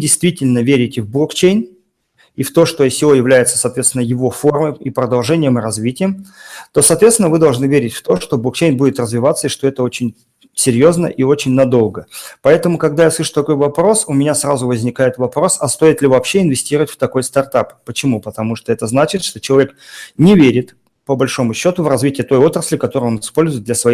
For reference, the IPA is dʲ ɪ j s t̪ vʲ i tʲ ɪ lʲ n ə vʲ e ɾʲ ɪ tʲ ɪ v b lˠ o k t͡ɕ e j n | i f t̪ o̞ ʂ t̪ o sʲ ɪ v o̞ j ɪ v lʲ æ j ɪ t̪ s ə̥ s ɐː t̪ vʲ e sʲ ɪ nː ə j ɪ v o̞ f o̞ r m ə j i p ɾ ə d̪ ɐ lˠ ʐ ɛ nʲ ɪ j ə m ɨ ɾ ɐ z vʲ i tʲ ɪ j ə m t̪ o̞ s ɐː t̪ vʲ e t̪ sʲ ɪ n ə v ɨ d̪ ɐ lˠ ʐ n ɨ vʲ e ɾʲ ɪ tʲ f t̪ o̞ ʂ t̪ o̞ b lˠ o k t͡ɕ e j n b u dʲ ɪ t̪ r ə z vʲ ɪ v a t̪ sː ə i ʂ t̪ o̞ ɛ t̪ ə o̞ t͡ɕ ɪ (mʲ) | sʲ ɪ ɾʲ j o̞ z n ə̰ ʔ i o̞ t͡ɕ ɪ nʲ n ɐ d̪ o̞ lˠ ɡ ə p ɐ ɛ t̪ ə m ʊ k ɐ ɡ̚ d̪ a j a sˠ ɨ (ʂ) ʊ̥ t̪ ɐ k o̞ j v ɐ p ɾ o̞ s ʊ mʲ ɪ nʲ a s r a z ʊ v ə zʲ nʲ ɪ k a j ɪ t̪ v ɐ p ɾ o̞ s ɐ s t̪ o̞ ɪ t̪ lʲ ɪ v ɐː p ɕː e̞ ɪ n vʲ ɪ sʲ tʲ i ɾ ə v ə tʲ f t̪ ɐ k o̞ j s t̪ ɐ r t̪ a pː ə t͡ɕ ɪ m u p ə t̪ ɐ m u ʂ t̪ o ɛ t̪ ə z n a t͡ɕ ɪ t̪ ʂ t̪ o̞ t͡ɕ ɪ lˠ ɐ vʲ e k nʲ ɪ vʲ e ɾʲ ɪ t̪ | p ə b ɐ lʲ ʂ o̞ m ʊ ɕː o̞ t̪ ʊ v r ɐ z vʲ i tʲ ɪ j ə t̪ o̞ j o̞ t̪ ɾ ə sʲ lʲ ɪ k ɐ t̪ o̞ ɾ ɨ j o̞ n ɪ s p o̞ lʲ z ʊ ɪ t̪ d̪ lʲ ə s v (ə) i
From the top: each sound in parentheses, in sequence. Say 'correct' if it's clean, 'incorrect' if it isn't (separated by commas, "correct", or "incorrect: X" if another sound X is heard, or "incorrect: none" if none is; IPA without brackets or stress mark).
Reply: incorrect: nʲ, correct, incorrect: ɐ